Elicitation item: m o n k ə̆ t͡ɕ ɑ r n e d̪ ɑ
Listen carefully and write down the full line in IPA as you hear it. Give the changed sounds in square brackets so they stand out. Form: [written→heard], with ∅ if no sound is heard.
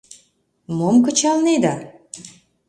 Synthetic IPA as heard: m o [n→m] k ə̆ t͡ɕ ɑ [r→l] n e d̪ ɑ